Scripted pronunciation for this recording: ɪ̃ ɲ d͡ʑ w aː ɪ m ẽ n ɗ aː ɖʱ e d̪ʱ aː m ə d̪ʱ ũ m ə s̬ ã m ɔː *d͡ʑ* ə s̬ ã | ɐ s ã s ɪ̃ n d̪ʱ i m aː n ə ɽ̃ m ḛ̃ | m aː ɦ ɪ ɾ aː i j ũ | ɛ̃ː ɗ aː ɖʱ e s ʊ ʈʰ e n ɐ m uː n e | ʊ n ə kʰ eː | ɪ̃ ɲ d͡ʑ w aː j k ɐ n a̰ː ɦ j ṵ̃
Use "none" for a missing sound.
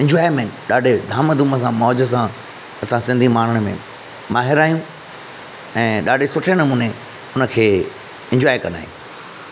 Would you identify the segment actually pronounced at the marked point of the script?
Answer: d͡ʑ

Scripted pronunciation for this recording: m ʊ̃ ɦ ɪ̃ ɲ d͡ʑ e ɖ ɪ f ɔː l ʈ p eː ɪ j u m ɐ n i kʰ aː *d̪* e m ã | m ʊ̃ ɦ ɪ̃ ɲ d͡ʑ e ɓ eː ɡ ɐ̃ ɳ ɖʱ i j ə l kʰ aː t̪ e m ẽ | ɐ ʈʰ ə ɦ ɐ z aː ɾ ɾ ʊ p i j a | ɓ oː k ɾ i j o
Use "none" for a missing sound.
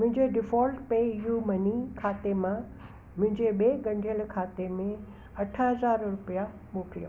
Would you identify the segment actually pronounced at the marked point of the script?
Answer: t̪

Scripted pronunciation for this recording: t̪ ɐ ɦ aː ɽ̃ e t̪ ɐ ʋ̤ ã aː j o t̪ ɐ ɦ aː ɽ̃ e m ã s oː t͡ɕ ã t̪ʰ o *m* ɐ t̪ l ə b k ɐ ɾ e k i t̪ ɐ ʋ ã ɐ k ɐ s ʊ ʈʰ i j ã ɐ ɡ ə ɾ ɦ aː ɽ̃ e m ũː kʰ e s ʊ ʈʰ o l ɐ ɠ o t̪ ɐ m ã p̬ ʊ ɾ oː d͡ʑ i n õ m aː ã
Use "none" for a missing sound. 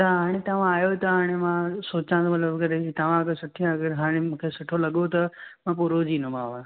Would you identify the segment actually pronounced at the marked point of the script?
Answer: m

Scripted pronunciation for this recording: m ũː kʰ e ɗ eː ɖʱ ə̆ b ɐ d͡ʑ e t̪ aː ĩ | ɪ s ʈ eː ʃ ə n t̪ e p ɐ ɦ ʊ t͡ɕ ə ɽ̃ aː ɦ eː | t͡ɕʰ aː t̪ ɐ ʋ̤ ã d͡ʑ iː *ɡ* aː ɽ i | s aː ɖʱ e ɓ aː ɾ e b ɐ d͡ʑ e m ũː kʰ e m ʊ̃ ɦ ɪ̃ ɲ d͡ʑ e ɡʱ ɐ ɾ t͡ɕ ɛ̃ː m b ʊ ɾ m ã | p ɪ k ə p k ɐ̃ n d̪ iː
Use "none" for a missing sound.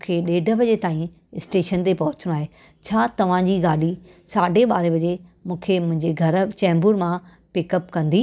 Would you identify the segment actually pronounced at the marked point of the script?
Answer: ɡ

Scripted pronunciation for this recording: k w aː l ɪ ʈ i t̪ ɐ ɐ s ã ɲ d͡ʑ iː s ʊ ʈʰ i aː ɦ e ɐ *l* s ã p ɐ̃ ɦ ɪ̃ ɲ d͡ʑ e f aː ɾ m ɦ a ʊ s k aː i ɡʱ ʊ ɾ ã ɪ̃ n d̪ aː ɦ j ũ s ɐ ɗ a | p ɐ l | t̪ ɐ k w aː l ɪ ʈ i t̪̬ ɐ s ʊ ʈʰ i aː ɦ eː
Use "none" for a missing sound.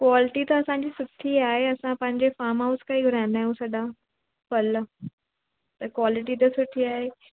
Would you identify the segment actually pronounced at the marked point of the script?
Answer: none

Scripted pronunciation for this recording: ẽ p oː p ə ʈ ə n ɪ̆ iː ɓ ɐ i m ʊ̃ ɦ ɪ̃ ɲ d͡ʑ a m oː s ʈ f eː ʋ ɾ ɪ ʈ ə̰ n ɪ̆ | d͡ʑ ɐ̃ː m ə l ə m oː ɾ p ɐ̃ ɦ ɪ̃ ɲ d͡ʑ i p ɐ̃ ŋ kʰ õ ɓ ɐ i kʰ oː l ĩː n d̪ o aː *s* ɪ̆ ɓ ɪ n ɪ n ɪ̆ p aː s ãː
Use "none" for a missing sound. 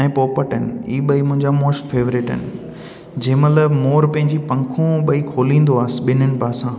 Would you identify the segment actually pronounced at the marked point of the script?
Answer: s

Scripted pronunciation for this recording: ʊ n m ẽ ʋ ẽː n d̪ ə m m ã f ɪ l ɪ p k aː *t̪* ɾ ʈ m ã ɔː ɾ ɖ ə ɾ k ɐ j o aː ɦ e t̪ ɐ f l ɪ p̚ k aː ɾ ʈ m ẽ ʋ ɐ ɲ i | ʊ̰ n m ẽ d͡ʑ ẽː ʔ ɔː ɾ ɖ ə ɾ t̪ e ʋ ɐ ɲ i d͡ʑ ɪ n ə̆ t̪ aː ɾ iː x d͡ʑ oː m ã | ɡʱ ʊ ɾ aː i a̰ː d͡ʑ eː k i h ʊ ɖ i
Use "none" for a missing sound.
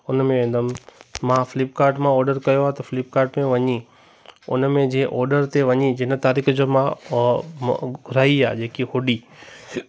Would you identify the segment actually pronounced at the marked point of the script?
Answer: none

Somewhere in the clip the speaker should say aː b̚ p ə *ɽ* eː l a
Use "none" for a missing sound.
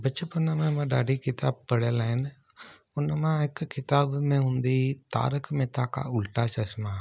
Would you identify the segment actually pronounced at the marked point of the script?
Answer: ɽ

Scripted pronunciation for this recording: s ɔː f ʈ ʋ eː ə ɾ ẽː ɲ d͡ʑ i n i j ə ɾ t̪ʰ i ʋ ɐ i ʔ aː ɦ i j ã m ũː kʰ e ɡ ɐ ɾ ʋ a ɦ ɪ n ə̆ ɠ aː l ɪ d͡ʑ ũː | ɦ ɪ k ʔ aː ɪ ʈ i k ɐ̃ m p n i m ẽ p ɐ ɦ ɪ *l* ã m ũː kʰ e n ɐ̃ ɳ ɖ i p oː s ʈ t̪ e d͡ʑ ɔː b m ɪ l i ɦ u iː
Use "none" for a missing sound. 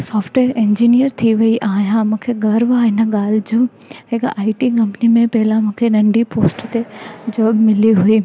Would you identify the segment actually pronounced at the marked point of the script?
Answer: l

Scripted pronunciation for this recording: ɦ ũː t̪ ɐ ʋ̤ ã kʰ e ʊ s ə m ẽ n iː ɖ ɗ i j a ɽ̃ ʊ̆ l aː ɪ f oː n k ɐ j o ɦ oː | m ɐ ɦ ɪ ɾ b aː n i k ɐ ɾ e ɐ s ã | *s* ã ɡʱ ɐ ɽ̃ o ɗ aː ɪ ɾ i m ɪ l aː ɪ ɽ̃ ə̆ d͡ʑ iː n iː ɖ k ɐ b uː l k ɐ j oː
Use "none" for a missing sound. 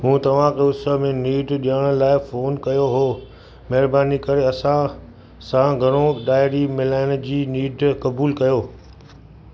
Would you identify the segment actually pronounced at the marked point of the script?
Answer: s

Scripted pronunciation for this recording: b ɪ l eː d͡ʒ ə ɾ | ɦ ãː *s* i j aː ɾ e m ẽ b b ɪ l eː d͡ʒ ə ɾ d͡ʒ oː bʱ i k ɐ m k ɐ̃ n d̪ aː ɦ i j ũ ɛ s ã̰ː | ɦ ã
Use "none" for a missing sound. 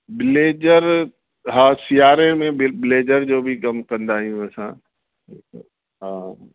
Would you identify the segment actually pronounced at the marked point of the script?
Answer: s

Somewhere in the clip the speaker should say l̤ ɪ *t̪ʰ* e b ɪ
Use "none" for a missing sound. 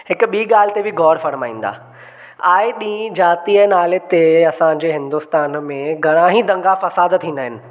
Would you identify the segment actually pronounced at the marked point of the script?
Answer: t̪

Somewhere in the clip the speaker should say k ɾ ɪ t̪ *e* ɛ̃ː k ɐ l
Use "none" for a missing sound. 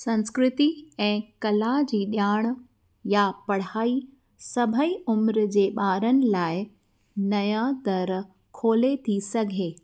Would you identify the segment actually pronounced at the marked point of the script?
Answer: i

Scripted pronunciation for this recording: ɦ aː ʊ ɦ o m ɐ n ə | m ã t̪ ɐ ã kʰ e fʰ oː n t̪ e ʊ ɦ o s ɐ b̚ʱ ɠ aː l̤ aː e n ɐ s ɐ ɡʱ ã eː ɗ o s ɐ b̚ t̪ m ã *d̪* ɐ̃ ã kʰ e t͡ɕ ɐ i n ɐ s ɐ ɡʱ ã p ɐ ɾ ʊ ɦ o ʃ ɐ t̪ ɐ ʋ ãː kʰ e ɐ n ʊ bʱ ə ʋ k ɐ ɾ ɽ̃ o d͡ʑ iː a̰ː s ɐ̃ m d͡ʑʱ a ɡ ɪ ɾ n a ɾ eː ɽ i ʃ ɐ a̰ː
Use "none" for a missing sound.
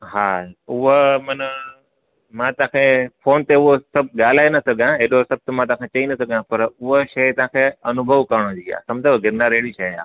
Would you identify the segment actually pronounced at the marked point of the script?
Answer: t̪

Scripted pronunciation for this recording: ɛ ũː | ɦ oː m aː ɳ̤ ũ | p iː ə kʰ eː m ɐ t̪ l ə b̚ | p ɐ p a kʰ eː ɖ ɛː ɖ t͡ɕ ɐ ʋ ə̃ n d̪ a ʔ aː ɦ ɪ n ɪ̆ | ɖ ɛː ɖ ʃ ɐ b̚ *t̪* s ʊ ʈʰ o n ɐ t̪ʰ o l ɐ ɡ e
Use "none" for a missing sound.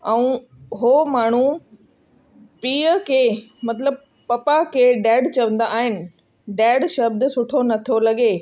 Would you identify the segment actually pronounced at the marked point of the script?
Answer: d̪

